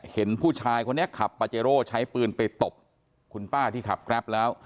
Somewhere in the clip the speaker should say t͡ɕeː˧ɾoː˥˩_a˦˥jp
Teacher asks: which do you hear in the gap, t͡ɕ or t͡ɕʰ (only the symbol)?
t͡ɕʰ